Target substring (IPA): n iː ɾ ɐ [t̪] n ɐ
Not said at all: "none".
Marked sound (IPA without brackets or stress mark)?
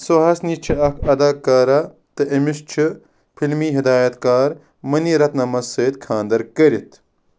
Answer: t̪